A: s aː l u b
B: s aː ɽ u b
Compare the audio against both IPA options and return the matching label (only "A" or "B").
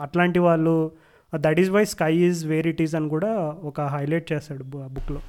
B